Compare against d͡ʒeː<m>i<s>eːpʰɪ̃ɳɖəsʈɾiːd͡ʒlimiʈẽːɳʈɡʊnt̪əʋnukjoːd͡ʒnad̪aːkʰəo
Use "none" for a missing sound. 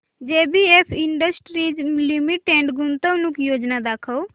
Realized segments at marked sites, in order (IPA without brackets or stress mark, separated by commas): b, none